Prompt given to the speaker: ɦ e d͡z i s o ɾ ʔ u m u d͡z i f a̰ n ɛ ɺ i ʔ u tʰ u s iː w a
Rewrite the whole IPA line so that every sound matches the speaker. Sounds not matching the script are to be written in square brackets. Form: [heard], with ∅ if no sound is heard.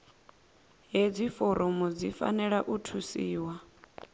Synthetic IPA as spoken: ɦ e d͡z i [f] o ɾ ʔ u m u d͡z i f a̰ n ɛ ɺ [a] ʔ u tʰ u s iː w a